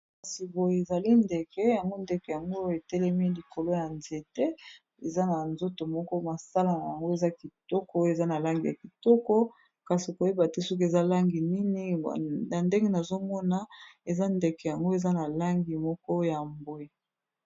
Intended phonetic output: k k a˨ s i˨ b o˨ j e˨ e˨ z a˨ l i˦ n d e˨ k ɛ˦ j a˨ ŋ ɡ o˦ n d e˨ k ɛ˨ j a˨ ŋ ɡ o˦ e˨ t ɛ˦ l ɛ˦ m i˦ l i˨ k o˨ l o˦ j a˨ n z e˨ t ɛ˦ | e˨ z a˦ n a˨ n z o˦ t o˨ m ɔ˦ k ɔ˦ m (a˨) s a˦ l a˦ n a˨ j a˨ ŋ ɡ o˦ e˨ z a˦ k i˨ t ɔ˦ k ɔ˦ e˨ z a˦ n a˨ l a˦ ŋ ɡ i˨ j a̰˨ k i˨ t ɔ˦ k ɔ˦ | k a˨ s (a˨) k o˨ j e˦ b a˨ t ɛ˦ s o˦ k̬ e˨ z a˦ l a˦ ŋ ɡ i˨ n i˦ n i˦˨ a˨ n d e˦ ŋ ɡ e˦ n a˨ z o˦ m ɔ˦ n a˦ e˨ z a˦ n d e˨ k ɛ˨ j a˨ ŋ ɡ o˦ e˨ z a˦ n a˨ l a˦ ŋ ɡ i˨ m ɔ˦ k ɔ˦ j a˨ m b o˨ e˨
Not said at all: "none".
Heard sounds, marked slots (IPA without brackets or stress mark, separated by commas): a˨, i˨